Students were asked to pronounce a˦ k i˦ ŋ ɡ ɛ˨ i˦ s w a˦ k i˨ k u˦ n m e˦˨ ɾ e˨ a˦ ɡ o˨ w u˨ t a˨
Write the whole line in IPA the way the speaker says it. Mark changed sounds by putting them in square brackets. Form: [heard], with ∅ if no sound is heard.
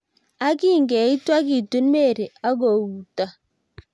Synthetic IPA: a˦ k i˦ ŋ ɡ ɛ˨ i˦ [t] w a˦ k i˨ [t] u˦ n m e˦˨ ɾ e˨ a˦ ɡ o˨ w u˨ t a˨